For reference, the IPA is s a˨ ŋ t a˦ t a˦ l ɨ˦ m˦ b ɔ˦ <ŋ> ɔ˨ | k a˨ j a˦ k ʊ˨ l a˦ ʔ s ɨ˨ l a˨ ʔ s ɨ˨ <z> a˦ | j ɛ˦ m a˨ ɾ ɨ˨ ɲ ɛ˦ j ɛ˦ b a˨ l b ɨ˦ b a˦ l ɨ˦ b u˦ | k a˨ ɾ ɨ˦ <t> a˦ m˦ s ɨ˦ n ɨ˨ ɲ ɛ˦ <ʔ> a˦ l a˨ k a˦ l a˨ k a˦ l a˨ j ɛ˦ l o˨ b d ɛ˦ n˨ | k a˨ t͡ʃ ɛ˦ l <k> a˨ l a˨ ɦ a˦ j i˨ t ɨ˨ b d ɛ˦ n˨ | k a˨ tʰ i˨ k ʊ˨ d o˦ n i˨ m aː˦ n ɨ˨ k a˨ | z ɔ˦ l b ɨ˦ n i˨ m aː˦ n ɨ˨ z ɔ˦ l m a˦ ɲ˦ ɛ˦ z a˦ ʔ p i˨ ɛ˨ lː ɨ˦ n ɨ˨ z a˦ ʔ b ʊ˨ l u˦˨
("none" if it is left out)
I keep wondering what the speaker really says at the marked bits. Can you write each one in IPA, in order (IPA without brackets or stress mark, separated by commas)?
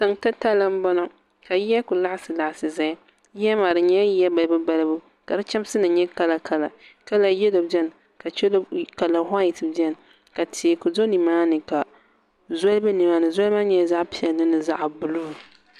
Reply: n, z, t͡ʃ, k, k